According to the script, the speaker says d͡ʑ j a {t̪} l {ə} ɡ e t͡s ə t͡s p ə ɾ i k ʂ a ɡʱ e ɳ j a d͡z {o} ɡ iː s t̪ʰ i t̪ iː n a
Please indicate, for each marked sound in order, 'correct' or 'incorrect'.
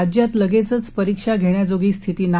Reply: correct, correct, correct

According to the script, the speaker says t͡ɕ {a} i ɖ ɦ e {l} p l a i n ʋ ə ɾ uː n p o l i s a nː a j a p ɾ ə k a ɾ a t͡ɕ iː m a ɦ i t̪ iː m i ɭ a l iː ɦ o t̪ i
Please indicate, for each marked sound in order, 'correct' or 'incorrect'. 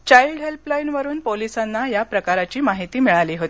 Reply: correct, correct

